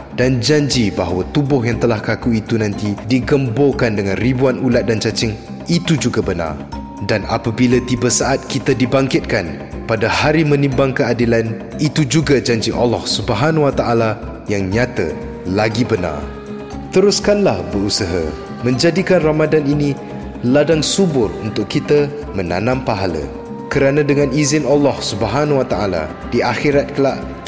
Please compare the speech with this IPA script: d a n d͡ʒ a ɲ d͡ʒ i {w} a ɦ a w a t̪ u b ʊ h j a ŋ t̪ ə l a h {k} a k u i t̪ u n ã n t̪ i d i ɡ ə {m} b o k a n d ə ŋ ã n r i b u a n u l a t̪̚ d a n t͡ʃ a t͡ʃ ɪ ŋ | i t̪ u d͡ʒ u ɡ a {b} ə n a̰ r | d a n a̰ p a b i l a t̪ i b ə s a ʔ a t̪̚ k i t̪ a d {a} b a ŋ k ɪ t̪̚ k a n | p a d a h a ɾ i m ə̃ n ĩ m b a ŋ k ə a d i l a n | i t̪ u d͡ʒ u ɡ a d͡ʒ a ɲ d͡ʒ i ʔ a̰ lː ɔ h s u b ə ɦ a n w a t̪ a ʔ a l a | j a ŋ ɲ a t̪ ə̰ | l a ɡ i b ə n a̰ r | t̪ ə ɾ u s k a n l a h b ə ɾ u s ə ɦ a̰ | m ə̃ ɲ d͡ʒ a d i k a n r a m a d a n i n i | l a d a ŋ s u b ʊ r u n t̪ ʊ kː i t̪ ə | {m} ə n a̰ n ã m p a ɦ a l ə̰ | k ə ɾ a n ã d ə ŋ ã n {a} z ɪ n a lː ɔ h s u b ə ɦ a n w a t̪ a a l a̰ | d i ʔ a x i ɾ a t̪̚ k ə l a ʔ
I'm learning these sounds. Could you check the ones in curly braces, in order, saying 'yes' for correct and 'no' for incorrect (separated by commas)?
no, yes, yes, yes, no, yes, no